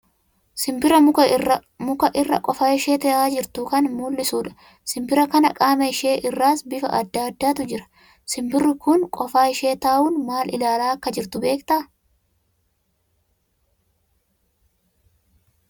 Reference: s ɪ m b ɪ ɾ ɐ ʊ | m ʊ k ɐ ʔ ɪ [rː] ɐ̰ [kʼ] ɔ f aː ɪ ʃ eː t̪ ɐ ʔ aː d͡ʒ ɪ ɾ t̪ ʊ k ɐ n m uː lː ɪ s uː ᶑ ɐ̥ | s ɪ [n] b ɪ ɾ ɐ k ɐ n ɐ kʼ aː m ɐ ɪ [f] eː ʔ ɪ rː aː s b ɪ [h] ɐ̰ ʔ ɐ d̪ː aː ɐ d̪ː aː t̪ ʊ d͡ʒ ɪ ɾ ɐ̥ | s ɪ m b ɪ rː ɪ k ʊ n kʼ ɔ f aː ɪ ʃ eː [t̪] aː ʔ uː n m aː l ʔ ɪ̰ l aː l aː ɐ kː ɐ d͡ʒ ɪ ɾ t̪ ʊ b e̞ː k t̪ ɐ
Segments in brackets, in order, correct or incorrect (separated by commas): correct, correct, incorrect, incorrect, incorrect, correct